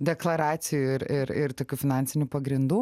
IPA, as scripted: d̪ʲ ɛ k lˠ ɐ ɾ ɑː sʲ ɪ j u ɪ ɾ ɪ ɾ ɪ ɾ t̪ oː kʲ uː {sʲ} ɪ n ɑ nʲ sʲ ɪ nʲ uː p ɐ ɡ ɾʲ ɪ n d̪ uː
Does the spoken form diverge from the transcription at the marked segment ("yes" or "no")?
yes